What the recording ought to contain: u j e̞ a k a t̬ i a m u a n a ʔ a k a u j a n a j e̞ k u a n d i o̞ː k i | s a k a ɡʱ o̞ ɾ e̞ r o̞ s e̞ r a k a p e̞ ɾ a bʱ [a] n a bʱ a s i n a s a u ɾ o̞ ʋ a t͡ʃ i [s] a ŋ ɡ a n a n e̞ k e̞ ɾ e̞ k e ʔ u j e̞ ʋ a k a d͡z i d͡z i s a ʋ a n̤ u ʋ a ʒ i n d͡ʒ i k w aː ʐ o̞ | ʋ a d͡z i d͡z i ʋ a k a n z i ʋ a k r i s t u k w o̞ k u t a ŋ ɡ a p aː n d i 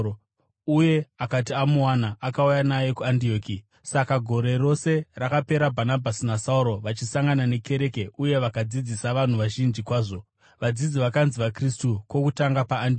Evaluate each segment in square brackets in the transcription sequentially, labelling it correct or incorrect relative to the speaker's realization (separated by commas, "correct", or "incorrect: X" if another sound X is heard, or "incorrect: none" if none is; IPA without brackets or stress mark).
correct, correct